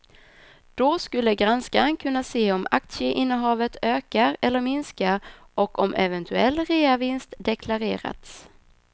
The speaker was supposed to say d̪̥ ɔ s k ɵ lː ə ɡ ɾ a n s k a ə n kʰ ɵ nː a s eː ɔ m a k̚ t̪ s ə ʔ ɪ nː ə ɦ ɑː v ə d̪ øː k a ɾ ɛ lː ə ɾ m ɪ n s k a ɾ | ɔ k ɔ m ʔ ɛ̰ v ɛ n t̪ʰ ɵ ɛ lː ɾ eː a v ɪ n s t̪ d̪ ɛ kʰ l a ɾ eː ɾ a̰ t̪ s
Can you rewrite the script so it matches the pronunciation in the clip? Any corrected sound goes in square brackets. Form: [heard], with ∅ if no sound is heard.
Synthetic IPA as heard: d̪̥ ɔ s k ɵ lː ə ɡ ɾ a n s k a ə n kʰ ɵ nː a s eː ɔ m a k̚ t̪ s ə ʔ ɪ nː ə ɦ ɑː v ə [t̪] øː k a ɾ ɛ lː ə ɾ m ɪ n s k a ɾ | ɔ k ɔ m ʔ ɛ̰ v ɛ n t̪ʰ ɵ ɛ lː ɾ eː a v ɪ n s t̪ d̪ ɛ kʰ l a ɾ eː ɾ a̰ t̪ s